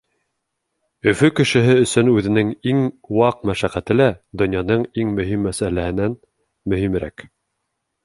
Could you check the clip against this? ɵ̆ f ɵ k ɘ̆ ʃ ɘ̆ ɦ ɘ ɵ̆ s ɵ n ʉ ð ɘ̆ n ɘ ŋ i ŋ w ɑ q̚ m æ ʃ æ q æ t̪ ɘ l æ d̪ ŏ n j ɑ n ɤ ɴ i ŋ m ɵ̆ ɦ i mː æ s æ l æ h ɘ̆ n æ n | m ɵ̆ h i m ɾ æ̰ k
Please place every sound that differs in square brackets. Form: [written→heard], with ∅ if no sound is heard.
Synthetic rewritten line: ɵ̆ f ɵ k ɘ̆ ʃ ɘ̆ ɦ ɘ ɵ̆ s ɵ n ʉ ð ɘ̆ n ɘ ŋ i ŋ w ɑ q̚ m æ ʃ æ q æ t̪ ɘ l æ d̪ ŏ n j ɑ n ɤ ɴ i ŋ m ɵ̆ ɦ i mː æ s æ l æ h ɘ̆ n æ n | m ɵ̆ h i m ɾ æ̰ k